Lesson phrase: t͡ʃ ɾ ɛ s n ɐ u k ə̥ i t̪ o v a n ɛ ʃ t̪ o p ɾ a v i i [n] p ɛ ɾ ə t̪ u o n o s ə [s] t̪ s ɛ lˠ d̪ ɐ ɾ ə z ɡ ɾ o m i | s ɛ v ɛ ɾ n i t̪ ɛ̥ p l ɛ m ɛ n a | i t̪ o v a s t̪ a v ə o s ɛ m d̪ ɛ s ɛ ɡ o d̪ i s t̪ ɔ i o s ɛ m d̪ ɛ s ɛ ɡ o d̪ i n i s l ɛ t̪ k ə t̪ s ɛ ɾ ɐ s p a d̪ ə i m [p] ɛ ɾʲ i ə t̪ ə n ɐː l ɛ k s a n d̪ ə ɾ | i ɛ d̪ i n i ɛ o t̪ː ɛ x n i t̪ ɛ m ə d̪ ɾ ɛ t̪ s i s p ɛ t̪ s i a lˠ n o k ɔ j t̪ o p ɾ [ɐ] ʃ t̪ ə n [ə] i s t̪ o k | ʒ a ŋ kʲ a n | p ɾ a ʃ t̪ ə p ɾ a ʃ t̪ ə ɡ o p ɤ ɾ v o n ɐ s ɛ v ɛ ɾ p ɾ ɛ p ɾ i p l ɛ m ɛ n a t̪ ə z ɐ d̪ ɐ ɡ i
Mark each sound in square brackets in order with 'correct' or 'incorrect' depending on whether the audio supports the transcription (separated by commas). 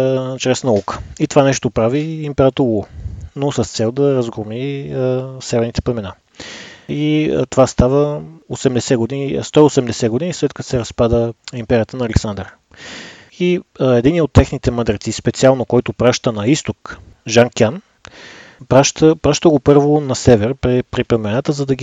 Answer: incorrect, correct, correct, incorrect, incorrect